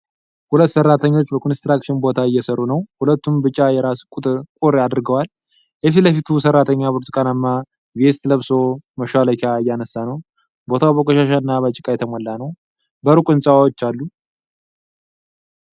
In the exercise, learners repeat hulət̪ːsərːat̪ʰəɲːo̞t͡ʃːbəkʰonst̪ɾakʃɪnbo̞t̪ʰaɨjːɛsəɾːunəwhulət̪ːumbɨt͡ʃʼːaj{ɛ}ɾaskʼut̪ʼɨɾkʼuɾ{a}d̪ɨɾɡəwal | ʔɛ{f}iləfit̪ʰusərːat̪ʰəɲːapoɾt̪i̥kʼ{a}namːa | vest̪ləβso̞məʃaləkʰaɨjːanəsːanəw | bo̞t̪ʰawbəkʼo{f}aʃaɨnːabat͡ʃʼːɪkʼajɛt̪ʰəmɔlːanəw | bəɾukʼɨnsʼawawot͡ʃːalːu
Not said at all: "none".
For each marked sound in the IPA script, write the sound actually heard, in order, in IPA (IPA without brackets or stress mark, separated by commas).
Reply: ɛ, a, f, a, ʃ